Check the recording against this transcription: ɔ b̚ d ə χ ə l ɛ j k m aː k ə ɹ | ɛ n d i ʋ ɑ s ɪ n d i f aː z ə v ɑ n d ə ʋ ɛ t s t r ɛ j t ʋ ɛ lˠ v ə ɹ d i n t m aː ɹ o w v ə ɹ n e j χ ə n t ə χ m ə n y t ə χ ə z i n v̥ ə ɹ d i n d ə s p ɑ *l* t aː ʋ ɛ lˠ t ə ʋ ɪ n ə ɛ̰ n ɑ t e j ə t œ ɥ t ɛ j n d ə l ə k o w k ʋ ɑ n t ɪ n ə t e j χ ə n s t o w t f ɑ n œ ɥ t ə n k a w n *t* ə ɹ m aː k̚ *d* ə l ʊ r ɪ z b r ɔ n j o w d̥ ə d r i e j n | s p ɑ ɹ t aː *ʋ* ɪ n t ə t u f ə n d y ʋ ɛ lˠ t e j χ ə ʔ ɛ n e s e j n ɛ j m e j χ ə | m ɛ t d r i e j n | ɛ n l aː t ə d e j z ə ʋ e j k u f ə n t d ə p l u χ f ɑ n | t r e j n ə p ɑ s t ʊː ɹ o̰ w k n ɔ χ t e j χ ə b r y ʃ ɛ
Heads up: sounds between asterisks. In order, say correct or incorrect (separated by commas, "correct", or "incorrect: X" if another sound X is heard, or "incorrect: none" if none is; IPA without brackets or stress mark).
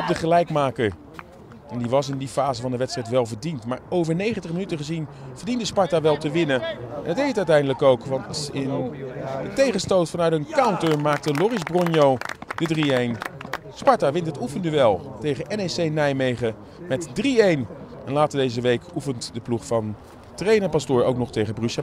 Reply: incorrect: ɹ, correct, incorrect: t, correct